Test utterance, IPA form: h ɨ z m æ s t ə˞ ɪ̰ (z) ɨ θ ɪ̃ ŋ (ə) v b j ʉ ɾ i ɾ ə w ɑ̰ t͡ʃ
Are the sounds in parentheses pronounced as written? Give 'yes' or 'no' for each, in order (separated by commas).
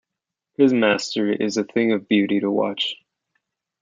yes, no